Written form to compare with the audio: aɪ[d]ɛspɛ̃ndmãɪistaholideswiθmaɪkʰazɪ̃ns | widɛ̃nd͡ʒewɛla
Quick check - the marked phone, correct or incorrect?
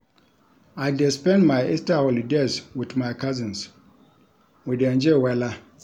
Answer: correct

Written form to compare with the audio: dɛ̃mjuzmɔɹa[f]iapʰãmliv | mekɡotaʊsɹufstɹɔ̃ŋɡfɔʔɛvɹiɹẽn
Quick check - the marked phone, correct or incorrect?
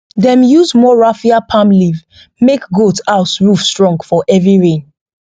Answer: correct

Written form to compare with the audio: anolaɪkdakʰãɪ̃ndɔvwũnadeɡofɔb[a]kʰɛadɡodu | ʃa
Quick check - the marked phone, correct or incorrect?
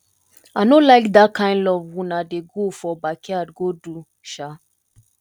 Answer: correct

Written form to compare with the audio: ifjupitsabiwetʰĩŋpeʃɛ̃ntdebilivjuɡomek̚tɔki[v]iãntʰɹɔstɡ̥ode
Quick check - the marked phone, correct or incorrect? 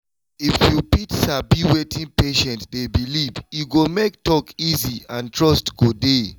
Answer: incorrect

